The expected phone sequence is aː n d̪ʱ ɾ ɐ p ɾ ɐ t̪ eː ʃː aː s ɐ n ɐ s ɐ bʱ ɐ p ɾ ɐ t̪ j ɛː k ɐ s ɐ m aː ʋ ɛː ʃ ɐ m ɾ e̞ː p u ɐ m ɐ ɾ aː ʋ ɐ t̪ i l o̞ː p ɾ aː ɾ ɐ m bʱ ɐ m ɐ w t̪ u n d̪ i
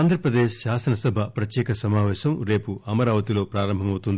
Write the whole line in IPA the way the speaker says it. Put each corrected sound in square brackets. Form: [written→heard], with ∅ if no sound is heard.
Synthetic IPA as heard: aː n d̪ʱ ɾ ɐ p ɾ ɐ [t̪→d̪] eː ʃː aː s ɐ n ɐ s ɐ bʱ ɐ p ɾ ɐ t̪ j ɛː k ɐ s ɐ m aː ʋ ɛː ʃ ɐ m ɾ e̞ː p u ɐ m ɐ ɾ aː ʋ ɐ t̪ i l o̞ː p ɾ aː ɾ ɐ m bʱ ɐ m ɐ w t̪ u n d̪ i